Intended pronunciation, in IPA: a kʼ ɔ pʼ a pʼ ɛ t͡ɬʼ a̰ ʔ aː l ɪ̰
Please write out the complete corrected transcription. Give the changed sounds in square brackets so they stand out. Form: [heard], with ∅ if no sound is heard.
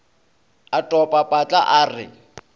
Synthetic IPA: a [tʼ] ɔ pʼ a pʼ [a] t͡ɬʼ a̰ ʔ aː [r] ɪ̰